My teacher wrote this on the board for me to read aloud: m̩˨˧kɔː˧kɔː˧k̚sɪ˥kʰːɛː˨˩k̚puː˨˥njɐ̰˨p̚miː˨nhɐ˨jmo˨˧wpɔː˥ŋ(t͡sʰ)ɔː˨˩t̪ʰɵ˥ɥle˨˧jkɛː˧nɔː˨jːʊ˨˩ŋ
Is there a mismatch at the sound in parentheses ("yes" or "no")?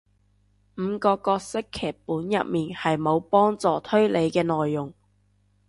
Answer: yes